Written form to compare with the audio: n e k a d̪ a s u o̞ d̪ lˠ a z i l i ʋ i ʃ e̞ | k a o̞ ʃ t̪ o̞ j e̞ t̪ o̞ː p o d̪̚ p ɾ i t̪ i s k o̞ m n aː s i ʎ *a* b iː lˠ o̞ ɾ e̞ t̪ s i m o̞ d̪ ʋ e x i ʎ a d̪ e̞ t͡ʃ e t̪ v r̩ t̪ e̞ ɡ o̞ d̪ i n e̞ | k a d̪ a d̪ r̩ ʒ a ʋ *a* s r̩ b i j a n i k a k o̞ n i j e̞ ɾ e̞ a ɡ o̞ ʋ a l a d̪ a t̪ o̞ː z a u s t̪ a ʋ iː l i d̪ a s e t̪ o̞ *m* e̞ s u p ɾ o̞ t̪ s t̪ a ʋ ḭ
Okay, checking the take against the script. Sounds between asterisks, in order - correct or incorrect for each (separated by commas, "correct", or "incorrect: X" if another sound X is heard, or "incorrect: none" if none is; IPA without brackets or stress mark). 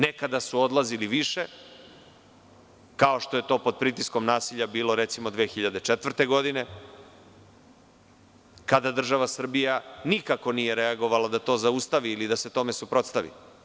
correct, correct, correct